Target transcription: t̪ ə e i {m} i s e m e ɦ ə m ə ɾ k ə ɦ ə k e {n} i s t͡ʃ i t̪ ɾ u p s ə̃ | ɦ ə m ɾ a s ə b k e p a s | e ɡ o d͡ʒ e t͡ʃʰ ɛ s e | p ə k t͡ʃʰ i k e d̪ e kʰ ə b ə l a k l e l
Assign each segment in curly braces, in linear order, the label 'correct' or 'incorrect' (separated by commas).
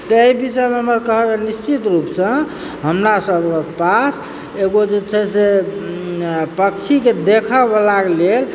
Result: incorrect, correct